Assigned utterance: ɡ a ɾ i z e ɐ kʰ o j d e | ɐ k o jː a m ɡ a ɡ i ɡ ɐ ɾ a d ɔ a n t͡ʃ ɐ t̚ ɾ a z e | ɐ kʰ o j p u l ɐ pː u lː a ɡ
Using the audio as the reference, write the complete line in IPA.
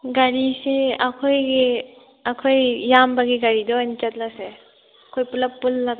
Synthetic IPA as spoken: ɡ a ɾ i s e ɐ kʰ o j ɡ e | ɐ kʰ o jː a m b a ɡ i ɡ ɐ ɾ i d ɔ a n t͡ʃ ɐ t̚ l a s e | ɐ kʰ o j p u l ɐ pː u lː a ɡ